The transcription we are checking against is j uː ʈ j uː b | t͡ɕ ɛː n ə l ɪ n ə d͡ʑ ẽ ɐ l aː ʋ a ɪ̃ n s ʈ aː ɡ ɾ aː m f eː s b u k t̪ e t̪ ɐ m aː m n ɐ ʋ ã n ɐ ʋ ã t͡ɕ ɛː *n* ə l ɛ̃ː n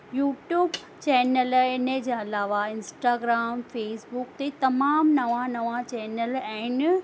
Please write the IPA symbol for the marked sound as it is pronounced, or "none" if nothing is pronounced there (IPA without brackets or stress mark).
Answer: n